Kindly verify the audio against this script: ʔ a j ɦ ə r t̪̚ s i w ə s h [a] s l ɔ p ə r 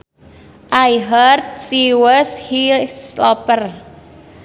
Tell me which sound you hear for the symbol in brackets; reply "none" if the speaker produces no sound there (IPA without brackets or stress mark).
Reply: i